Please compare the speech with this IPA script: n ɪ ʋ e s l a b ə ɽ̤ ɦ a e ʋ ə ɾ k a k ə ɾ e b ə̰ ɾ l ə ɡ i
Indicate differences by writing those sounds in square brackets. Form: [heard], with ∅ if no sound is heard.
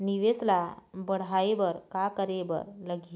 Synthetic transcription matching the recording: n [i] ʋ e s l a b ə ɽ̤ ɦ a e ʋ ə ɾ k a k ə ɾ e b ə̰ ɾ l ə ɡ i